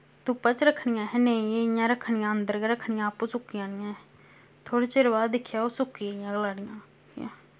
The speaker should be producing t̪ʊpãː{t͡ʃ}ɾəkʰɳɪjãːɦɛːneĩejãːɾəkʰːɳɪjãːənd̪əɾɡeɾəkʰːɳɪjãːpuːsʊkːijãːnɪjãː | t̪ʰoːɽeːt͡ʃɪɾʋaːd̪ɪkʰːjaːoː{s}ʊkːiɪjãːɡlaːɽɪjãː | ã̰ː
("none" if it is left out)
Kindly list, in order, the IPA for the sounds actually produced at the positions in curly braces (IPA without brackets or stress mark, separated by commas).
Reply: t͡ʃ, s